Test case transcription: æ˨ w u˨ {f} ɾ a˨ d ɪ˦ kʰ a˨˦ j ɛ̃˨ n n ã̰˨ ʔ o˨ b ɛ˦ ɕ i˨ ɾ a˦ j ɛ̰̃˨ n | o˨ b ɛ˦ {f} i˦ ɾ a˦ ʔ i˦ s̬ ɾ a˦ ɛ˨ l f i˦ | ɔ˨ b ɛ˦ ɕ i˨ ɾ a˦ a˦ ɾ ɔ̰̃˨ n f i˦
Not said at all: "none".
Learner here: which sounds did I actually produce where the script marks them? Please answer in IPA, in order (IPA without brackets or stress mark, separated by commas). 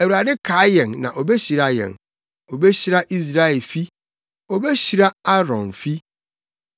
none, ɕ